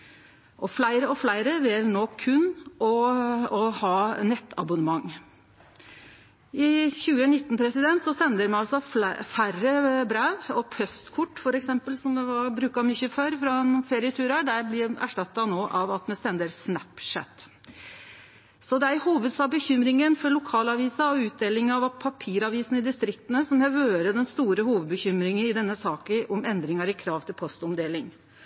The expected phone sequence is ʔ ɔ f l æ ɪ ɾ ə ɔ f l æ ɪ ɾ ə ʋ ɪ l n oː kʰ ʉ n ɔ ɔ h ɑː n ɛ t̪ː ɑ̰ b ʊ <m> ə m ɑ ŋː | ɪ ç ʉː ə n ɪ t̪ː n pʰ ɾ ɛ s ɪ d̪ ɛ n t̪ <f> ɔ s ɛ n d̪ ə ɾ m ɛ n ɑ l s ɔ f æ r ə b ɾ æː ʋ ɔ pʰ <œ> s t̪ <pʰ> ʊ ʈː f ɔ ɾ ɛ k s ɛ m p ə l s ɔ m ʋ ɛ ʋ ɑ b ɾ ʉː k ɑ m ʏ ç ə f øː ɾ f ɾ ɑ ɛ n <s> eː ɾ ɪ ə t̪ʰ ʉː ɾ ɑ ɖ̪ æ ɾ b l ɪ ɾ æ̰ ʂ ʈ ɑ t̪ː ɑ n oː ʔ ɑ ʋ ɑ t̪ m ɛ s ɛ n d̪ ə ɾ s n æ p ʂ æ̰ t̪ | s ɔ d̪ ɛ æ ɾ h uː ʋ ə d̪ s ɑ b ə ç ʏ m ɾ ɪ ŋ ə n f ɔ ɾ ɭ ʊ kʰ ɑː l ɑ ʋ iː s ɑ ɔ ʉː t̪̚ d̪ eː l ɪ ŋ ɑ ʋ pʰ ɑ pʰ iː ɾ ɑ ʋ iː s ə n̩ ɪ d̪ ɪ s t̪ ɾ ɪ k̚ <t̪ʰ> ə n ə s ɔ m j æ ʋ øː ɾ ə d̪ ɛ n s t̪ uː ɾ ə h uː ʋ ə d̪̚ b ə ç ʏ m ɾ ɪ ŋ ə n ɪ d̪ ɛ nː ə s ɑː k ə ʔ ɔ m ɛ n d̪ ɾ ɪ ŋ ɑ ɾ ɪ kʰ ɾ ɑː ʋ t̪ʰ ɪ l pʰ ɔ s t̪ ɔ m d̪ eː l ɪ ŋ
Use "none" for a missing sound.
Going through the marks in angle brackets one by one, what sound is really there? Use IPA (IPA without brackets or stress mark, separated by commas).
n, s, œ, kʰ, f, t̪